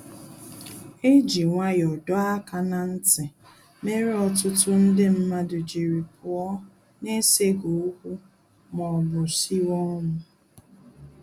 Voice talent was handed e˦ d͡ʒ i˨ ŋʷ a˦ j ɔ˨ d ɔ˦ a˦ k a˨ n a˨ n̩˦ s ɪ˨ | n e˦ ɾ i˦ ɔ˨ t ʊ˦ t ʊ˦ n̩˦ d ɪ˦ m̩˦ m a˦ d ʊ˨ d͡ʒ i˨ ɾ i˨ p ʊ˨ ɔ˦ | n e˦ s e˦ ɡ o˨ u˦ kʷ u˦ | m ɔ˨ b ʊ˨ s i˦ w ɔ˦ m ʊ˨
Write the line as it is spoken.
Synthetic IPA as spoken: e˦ d͡ʒ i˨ ŋʷ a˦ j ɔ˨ d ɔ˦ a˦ k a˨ n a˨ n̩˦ t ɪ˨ | m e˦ ɾ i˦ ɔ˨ t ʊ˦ t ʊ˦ n̩˦ d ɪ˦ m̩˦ m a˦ d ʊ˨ d͡ʒ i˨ ɾ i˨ p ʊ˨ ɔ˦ | n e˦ s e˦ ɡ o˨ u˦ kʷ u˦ | m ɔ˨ b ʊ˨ s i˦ w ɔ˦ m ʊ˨